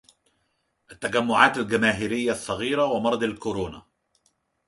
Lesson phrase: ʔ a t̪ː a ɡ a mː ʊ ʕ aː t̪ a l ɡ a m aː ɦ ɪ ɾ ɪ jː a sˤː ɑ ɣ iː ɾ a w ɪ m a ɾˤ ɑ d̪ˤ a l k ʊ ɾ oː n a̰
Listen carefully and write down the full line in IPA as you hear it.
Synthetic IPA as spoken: ʔ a t̪ː a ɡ a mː ʊ ʕ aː t̪ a l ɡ a m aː ɦ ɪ ɾ ɪ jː a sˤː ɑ ɣ iː ɾ a w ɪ m ɑ ɾˤ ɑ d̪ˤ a l k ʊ ɾ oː n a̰